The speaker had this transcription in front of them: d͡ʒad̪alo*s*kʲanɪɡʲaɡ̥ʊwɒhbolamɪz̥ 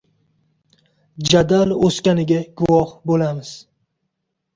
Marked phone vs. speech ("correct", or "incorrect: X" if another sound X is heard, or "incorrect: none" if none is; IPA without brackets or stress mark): correct